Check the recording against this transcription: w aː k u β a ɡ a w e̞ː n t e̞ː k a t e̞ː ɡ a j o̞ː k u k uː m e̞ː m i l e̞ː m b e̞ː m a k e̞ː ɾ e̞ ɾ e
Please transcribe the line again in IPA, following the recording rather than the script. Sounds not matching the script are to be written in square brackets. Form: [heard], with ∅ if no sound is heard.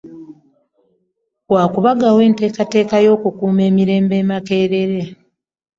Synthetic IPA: w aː k u β a ɡ a w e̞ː n t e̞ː k a t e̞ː [k] a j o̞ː k u k uː m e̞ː m i [ɾ] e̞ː m b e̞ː m a k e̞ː ɾ e̞ ɾ e